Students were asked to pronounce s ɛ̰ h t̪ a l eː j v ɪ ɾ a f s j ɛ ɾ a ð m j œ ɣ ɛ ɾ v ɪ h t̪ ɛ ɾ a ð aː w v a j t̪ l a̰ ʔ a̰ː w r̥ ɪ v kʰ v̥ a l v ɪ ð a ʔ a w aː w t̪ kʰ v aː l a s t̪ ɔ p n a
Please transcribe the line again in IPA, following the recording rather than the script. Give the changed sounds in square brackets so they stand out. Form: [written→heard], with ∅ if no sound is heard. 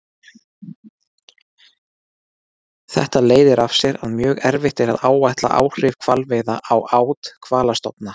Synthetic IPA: [s→θ] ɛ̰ h t̪ a l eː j [v→ð] ɪ ɾ a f s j ɛ ɾ a ð m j [œ→œː] ɣ ɛ ɾ v ɪ h t̪ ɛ ɾ a ð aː w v a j t̪ l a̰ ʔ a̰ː w r̥ ɪ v kʰ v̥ a l v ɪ ð a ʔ a w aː w t̪ kʰ v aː l a s t̪ ɔ p n a

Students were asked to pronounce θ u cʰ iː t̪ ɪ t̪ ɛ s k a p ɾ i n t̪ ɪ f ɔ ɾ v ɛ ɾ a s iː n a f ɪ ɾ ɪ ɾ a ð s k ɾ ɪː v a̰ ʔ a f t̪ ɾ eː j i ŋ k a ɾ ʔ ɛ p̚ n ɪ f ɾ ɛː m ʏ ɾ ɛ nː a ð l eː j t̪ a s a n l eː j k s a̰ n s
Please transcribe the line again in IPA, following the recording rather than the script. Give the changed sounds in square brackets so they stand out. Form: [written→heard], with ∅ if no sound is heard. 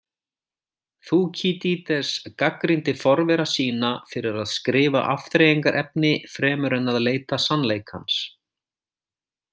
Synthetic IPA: θ u cʰ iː t̪ [ɪ→i] t̪ ɛ s k a [p→k] ɾ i n t̪ ɪ f ɔ ɾ v ɛ ɾ a s iː n a f ɪ ɾ ɪ ɾ a ð s k ɾ ɪː v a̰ ʔ a f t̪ ɾ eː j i ŋ k a ɾ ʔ ɛ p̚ n ɪ f ɾ ɛː m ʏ ɾ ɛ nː a ð l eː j t̪ a s a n l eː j k [s→h] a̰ n s

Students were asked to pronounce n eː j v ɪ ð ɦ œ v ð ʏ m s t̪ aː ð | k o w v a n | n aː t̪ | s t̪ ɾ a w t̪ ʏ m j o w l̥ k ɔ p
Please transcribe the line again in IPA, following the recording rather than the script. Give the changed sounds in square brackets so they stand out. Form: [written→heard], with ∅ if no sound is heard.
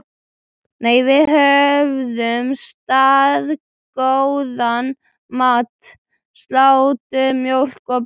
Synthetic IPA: n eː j v ɪ ð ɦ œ v ð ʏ m s t̪ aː ð | k o w [v→ð] a n | [n→m] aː t̪ | s t̪ [ɾ→l] a w t̪ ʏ m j o w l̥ k ɔ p

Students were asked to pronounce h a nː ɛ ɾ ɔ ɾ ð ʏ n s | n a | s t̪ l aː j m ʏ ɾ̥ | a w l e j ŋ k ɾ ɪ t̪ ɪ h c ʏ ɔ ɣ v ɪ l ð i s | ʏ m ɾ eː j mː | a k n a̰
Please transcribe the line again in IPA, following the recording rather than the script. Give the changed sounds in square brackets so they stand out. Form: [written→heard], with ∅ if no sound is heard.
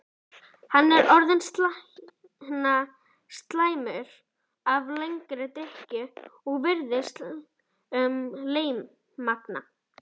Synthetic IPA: h a nː ɛ ɾ ɔ ɾ ð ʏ n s | n a | s t̪ l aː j m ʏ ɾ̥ | a [w→v] l e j ŋ k ɾ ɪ t̪ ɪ h c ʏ ɔ ɣ v ɪ [l→ɾ] ð [i→ɪ] s | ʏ m [ɾ→l] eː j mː | a k n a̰

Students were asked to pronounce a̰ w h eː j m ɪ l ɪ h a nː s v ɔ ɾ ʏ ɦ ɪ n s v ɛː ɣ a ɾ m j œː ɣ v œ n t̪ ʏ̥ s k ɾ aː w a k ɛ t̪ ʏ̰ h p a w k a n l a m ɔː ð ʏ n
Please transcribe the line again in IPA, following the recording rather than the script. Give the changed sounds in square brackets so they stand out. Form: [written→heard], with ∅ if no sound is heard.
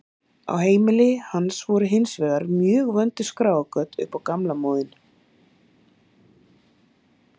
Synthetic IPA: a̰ w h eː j m ɪ l ɪ h a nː s v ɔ ɾ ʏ ɦ ɪ n s v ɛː ɣ a ɾ m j œː ɣ v œ n t̪ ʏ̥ s k ɾ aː w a k [ɛ→œ] t̪ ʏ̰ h p a w k a [n→m] l a m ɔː ð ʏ n

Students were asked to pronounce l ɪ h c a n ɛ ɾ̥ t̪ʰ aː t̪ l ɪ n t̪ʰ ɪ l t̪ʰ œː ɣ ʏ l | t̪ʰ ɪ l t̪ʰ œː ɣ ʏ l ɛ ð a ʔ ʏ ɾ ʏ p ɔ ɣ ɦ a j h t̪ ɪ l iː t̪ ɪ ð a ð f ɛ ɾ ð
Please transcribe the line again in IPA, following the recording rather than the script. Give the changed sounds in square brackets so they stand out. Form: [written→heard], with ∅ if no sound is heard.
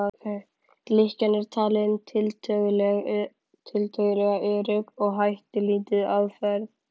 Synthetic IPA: l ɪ h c a n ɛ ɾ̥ t̪ʰ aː [t̪→∅] l ɪ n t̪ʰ ɪ l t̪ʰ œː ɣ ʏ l | t̪ʰ ɪ l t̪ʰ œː ɣ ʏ l ɛ [ð→ɣ] a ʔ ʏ ɾ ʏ p ɔ ɣ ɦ a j h t̪ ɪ l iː t̪ ɪ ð a ð f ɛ ɾ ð

